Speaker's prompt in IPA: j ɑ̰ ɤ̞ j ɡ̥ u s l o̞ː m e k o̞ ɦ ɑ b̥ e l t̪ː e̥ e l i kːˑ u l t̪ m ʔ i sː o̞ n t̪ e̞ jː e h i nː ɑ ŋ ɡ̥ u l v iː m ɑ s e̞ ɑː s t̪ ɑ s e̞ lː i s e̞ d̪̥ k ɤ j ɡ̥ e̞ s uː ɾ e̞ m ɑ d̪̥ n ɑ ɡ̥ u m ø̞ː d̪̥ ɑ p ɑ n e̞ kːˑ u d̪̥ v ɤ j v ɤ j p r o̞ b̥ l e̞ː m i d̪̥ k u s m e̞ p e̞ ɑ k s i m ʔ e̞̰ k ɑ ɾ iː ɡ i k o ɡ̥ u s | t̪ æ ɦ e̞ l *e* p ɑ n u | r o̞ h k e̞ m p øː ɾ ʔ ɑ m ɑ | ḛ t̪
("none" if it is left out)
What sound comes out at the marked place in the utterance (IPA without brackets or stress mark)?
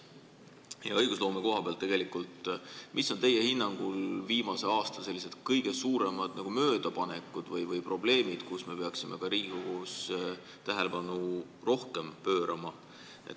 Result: e